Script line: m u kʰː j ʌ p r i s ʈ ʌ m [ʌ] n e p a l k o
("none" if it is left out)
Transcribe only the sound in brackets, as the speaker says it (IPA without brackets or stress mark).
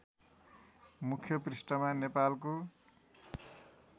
a